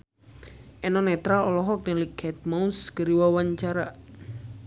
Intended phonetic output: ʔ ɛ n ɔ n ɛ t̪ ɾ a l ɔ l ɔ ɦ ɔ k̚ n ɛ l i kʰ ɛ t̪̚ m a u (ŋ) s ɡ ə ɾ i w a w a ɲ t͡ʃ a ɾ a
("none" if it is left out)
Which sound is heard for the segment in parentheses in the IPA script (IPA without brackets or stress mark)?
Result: n